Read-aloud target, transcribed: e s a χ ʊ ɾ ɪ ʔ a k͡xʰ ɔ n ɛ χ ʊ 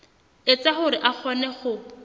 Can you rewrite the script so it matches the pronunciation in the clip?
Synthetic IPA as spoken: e t͡s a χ ʊ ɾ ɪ ʔ a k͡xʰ ɔ n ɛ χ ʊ